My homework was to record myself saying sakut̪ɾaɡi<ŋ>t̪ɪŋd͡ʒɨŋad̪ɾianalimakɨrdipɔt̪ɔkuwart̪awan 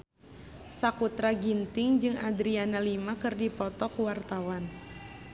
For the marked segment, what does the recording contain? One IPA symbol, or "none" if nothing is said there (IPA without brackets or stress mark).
n